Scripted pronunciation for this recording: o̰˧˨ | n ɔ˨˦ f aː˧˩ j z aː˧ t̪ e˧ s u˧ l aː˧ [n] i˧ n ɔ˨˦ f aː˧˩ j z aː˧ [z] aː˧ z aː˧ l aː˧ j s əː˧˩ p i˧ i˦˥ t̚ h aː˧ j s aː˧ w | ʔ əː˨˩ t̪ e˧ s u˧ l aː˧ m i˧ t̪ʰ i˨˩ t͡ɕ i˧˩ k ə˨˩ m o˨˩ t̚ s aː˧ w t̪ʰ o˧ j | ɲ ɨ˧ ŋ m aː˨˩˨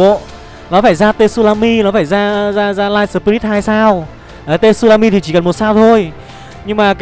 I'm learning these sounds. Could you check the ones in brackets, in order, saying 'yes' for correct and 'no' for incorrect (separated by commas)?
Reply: no, yes